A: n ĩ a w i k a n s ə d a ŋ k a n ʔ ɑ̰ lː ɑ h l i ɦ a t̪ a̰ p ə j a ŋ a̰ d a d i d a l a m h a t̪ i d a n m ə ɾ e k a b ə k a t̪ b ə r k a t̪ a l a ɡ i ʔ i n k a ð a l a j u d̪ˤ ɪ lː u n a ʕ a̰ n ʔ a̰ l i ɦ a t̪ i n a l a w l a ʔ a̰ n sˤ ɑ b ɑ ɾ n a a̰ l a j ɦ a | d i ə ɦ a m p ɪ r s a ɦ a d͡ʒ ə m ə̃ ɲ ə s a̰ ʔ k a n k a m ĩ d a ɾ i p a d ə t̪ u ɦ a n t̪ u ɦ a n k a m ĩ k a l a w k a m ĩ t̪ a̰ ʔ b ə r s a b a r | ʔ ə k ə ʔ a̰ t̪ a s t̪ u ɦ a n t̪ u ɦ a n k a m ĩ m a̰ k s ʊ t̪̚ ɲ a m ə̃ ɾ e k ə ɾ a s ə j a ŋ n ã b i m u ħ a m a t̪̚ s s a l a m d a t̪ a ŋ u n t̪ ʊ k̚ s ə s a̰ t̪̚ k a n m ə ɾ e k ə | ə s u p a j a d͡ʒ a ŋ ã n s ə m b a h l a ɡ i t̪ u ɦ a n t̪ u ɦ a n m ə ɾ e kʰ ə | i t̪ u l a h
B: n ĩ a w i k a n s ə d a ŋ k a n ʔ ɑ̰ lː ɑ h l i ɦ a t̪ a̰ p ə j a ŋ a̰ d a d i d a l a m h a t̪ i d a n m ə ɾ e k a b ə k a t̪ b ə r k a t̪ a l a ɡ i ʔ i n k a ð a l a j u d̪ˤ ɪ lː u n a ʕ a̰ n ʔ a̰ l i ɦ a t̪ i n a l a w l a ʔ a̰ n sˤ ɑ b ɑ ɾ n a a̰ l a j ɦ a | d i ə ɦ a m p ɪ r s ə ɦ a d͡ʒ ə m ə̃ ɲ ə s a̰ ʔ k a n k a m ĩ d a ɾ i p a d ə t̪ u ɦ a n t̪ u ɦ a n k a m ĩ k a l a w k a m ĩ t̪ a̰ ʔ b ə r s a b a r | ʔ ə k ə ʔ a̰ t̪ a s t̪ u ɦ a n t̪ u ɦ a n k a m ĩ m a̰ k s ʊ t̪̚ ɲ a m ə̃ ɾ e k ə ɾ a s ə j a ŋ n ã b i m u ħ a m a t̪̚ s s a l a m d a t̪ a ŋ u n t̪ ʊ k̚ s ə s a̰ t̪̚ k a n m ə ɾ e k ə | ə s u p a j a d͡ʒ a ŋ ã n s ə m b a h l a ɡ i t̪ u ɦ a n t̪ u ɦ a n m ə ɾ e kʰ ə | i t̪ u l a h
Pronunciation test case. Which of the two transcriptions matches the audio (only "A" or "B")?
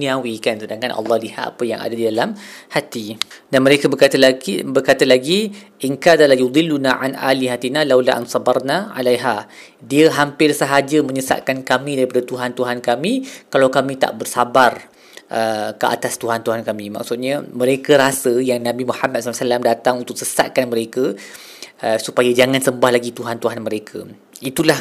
B